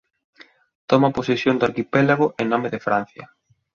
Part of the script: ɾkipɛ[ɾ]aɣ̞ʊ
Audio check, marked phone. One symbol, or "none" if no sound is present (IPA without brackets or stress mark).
l